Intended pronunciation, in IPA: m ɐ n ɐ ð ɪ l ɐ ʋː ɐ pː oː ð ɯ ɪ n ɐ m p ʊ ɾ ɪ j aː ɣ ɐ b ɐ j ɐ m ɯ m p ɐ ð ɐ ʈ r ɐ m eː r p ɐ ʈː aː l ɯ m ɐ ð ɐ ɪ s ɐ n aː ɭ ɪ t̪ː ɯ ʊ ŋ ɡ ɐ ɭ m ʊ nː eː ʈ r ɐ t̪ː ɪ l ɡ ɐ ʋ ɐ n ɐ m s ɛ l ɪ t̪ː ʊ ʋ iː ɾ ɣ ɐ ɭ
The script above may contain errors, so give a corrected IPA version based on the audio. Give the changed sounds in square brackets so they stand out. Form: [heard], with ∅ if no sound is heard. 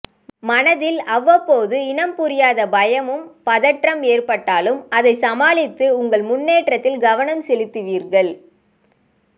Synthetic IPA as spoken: m ɐ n ɐ ð ɪ l ɐ ʋː ɐ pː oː ð ɯ ɪ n ɐ m p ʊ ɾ ɪ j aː [ð] ɐ b ɐ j ɐ m ɯ m p ɐ ð ɐ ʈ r ɐ m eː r p ɐ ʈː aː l ɯ m ɐ ð ɐ ɪ s ɐ [m] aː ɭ ɪ t̪ː ɯ ʊ ŋ ɡ ɐ ɭ m ʊ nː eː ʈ r ɐ t̪ː ɪ l ɡ ɐ ʋ ɐ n ɐ m s ɛ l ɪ t̪ː [ɯ] ʋ iː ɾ ɣ ɐ ɭ